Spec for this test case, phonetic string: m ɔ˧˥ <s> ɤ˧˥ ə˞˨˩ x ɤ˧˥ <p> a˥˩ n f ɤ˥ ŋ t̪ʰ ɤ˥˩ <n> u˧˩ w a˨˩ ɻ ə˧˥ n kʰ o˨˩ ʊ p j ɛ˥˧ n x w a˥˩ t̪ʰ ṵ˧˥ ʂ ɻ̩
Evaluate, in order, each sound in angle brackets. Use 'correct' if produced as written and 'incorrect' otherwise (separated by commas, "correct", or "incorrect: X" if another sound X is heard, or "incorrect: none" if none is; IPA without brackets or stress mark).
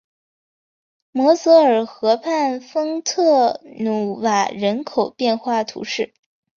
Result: correct, incorrect: pʰ, correct